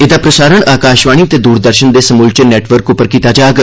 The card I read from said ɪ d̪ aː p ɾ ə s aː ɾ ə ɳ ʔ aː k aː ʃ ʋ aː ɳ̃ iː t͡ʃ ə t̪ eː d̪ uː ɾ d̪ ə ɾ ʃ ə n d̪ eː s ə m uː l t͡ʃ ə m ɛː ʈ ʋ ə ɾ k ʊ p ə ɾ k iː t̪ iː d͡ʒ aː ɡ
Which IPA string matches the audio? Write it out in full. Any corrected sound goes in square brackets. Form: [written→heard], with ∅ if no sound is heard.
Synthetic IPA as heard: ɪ d̪ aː p ɾ ə s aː ɾ ə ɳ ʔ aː k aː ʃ ʋ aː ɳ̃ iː [t͡ʃ→∅] ə t̪ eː d̪ uː ɾ d̪ ə ɾ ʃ ə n d̪ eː s ə m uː l t͡ʃ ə [m→n] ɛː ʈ ʋ ə ɾ k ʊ p ə ɾ k iː t̪ [iː→aː] d͡ʒ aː ɡ